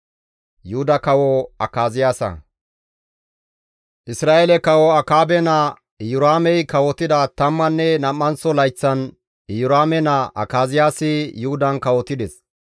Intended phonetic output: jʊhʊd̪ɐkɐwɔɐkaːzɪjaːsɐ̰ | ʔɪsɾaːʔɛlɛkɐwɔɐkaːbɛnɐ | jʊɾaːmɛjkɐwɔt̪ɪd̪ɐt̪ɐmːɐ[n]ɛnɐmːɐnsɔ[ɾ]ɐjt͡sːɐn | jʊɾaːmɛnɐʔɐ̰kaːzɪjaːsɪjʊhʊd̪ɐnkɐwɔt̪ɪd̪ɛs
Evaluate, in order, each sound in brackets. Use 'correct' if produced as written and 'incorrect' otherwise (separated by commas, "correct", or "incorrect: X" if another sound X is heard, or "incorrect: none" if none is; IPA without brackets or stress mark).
incorrect: nː, incorrect: l